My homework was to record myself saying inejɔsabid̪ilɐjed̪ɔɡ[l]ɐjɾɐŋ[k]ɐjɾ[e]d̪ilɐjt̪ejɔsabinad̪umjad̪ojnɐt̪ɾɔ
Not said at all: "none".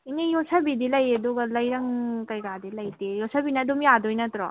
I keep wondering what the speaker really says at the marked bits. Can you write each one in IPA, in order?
l, k, a

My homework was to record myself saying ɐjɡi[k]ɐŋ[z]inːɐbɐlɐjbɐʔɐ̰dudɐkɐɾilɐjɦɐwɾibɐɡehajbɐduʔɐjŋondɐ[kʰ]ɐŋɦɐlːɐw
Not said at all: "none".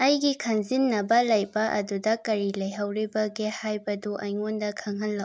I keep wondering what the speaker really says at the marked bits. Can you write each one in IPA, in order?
kʰ, z, kʰ

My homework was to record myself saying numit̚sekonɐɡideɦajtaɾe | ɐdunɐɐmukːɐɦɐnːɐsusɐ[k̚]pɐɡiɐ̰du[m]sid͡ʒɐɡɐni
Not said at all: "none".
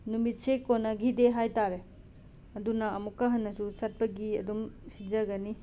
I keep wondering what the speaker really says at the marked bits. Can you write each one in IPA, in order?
t̚, m

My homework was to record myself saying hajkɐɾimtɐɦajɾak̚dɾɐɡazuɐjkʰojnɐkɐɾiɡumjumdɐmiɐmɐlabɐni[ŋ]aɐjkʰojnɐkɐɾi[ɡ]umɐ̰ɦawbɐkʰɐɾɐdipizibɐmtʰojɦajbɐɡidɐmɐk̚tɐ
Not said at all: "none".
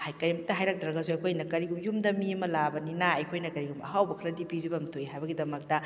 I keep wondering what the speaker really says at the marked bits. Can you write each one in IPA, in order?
n, ɡ

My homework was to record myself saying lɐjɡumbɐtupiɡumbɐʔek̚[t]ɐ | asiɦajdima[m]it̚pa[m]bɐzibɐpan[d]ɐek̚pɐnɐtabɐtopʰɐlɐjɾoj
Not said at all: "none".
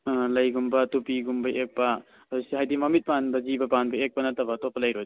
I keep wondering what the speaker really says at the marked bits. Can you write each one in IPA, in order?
p, m, n, b

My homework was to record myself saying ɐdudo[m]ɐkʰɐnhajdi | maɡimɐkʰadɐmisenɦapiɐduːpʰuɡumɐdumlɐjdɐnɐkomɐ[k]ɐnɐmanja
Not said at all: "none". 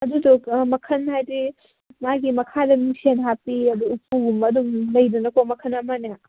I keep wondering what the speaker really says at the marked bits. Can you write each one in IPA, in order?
m, kʰ

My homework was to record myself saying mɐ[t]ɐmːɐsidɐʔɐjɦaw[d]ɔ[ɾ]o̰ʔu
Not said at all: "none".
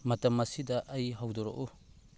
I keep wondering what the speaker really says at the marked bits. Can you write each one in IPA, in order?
t, d, ɾ

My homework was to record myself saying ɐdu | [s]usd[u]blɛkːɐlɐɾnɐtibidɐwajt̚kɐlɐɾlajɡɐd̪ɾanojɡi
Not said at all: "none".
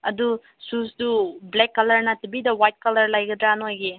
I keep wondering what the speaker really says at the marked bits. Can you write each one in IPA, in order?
s, u

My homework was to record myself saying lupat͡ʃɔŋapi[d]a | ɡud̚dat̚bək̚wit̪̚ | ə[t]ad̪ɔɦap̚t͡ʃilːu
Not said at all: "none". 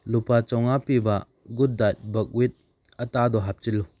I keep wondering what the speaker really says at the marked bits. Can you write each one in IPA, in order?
b, t

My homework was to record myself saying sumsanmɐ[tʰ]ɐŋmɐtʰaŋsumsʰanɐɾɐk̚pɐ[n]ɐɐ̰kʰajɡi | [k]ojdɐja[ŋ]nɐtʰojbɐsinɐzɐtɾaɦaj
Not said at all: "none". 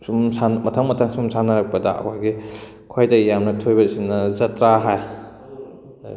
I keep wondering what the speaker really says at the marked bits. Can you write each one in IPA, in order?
tʰ, d, kʰ, m

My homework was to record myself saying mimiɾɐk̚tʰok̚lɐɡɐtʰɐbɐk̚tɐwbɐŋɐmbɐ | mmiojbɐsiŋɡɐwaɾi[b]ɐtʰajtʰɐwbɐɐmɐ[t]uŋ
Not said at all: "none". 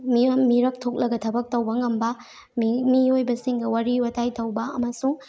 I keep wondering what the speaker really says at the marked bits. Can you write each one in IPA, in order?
w, s

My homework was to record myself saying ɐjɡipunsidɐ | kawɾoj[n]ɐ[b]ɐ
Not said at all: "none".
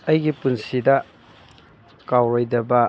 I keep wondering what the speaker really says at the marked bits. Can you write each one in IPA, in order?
d, b

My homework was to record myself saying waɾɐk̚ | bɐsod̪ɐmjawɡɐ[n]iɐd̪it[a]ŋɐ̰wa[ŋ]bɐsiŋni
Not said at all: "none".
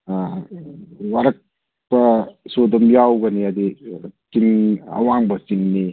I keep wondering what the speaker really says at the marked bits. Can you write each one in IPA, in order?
n, i, ŋ

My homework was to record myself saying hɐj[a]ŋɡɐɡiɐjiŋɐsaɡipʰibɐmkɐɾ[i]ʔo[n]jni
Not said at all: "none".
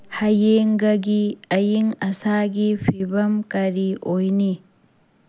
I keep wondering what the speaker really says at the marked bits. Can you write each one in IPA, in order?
e, i, none

